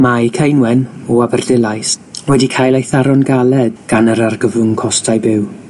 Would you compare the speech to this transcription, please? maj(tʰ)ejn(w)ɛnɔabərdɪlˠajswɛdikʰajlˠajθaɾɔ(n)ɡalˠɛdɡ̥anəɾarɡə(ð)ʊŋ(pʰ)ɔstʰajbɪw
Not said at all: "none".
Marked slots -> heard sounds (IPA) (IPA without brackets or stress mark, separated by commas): kʰ, w, n, v, kʰ